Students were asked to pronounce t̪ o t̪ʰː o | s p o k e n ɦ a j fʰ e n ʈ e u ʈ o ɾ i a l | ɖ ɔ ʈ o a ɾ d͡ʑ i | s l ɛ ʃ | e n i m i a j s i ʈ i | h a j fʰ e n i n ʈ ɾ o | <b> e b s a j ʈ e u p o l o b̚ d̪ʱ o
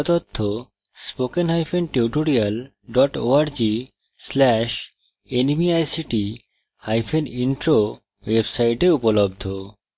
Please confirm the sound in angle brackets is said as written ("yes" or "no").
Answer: no